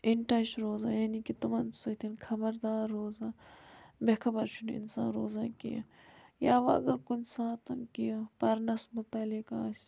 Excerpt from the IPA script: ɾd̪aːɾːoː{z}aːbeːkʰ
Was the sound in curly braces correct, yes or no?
yes